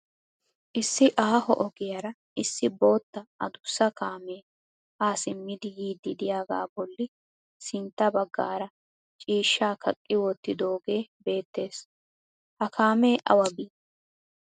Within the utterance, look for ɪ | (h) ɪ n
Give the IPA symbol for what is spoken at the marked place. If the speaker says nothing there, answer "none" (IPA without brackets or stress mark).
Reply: s